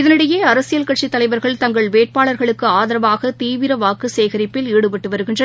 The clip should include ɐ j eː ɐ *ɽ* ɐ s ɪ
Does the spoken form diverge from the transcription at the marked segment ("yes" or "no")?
yes